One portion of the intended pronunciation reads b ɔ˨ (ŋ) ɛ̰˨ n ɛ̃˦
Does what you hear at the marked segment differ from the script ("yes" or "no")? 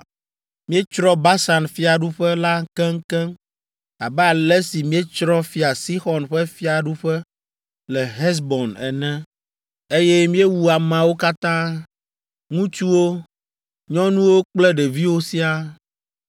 yes